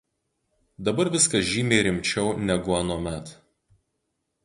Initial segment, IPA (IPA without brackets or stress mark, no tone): d̪